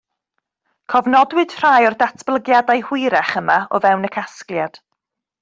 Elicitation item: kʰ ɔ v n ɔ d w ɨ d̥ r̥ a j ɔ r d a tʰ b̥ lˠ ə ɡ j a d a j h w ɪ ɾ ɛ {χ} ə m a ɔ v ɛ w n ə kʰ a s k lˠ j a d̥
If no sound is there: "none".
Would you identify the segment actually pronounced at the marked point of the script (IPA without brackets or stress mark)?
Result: χ